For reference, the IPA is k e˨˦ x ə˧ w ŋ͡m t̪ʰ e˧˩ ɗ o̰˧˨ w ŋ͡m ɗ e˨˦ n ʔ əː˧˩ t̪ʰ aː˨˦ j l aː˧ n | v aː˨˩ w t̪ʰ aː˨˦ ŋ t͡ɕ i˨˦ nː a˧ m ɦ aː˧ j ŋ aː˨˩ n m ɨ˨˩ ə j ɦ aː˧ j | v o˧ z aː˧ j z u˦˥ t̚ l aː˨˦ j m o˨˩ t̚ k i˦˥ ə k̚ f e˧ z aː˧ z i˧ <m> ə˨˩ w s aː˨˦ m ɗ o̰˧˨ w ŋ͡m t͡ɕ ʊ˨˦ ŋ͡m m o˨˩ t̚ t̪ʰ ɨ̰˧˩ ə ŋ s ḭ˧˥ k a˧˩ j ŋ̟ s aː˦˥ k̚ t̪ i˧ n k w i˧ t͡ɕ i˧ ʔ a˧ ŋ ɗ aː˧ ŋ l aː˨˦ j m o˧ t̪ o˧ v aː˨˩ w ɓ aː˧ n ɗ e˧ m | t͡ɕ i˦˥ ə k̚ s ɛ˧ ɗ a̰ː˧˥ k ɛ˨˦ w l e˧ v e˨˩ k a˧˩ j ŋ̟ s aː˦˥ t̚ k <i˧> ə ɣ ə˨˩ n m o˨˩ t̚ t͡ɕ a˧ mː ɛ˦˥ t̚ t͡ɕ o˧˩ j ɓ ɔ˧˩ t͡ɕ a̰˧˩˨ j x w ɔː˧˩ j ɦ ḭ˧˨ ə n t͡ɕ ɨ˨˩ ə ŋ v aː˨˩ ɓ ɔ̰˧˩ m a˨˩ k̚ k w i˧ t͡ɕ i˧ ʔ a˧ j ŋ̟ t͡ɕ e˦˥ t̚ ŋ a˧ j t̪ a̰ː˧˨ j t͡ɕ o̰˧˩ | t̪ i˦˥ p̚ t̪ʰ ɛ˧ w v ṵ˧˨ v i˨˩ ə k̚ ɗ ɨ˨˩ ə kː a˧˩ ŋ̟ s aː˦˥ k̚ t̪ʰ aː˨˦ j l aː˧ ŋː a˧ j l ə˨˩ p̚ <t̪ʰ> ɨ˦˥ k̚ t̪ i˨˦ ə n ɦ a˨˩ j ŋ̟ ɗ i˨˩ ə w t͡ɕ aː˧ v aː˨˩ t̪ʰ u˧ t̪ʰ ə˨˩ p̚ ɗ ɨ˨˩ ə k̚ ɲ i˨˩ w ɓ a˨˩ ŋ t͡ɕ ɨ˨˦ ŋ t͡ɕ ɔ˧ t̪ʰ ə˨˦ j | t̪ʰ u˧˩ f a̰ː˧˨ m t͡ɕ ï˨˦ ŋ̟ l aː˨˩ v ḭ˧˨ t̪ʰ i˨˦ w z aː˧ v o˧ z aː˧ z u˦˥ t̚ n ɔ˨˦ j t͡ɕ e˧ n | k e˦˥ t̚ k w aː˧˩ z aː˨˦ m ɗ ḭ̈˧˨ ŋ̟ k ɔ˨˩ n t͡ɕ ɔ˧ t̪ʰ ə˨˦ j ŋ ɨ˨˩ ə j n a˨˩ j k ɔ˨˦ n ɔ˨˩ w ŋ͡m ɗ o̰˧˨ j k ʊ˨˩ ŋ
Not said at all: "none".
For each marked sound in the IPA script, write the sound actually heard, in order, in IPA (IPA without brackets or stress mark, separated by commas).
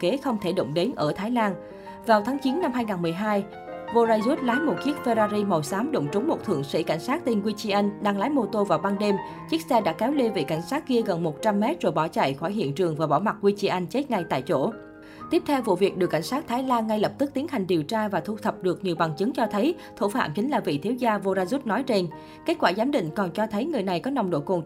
m, i˧, t̪